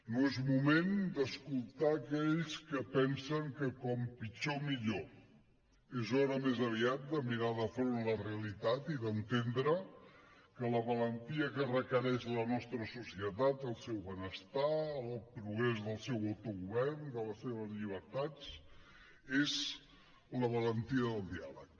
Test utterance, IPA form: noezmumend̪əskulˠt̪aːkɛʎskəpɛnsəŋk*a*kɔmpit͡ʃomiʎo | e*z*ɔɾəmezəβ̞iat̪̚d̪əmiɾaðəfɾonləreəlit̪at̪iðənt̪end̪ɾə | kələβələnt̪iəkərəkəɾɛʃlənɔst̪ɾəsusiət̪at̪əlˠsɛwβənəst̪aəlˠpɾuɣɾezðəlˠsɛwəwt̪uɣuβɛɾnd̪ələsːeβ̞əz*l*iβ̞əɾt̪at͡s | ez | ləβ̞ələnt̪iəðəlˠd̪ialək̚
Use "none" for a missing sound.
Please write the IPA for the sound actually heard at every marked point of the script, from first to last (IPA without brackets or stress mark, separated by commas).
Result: ə, z, ʎ